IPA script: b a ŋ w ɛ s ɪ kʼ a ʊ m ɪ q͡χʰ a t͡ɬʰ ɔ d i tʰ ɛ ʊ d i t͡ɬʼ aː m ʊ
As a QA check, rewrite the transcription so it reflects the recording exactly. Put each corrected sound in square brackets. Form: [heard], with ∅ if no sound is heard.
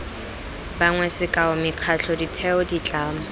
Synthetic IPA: b a ŋ w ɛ s ɪ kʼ a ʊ m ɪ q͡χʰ a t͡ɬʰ ɔ d i tʰ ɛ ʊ d i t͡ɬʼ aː m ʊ

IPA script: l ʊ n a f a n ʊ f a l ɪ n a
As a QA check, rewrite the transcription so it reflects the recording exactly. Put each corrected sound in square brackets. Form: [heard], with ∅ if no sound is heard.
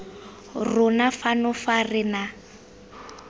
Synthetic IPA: [r] ʊ n a f a n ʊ f a [r] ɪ n a

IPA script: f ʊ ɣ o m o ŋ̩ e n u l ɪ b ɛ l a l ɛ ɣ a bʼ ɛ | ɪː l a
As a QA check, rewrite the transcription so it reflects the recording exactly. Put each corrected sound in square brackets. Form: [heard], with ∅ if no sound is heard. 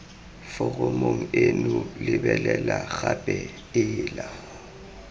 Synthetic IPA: f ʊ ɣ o m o ŋ̩ e n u l ɪ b ɛ l [ɛ] l [a] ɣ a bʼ ɛ | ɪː l a

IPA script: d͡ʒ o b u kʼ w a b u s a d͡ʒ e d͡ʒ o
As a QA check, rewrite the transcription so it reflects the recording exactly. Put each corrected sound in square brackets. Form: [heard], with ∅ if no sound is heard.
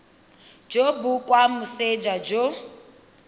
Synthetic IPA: d͡ʒ o b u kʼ w a [m] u s [e] d͡ʒ [a] d͡ʒ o

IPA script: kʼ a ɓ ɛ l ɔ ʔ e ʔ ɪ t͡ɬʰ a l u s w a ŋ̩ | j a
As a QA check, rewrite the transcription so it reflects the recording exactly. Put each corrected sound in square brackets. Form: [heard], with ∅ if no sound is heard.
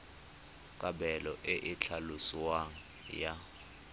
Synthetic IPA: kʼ a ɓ ɛ l ɔ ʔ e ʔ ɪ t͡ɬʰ a l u s w a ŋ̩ | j a

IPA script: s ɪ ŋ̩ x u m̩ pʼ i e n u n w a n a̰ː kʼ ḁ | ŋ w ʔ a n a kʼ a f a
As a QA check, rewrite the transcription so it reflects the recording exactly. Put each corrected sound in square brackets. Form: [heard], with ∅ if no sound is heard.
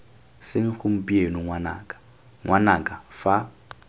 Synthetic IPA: s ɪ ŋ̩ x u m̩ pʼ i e n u [ŋ] w a n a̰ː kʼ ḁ | ŋ w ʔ a n a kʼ a f a

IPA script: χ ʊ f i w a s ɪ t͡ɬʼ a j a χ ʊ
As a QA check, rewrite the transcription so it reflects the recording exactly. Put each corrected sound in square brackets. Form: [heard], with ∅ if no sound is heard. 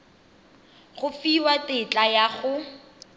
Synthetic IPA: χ ʊ f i w a [t] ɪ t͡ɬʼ a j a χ ʊ

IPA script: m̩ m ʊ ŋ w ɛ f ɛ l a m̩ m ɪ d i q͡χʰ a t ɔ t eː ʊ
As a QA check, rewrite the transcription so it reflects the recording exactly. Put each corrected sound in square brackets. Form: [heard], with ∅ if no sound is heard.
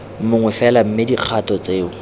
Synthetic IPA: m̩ m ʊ ŋ w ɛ f ɛ l a m̩ m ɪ d i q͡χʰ a t ɔ [t͡s] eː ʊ

